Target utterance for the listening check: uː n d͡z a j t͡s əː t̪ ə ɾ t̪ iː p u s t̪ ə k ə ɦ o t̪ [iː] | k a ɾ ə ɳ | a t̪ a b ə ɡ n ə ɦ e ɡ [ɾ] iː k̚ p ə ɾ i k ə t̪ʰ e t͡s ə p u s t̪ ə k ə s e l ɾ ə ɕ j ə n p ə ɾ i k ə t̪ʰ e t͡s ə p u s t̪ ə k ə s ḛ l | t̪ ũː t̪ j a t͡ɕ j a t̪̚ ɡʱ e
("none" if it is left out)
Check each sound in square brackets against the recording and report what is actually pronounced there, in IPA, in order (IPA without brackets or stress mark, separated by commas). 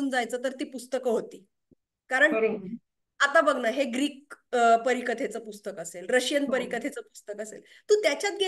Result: iː, ɾ